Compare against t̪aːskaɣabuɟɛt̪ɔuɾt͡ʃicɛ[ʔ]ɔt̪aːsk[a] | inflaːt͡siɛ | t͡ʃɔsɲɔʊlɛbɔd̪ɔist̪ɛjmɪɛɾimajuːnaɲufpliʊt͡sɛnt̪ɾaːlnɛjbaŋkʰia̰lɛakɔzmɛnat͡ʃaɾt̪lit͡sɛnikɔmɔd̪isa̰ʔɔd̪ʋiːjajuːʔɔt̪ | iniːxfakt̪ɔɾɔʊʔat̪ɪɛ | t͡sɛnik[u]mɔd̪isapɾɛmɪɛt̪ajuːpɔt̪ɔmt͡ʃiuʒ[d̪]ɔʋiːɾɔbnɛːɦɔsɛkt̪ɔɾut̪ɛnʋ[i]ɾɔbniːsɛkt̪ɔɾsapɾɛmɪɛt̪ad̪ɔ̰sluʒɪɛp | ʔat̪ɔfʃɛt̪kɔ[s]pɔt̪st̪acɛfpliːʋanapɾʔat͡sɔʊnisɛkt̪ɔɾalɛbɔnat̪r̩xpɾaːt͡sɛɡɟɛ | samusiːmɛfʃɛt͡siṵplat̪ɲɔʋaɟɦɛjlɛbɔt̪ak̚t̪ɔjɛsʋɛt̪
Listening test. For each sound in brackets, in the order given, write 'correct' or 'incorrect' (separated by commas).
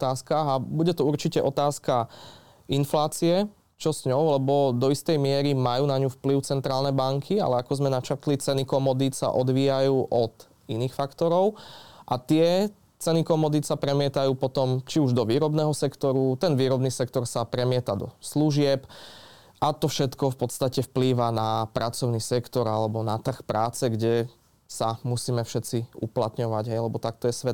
correct, correct, incorrect, correct, incorrect, incorrect